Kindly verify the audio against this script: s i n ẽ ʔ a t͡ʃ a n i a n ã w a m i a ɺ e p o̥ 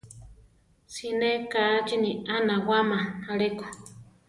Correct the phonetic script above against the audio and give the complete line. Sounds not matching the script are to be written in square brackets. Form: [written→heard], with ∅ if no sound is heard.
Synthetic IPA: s i n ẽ [ʔ→k] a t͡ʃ [a→i] n i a n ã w a m [i→a] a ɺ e [p→k] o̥